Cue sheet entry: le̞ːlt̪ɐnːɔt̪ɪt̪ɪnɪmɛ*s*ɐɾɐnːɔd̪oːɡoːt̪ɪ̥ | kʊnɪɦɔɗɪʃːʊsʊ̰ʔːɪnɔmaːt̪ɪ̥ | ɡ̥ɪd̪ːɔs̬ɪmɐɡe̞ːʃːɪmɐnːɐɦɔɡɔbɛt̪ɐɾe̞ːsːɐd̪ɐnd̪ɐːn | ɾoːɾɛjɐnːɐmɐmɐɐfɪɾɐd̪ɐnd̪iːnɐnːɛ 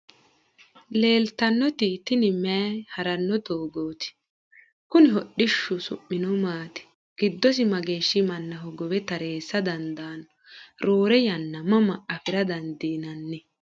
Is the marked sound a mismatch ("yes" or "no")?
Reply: yes